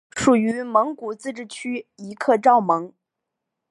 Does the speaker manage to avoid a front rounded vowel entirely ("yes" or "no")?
no